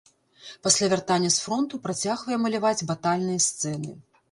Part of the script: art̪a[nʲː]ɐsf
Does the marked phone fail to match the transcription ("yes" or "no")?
no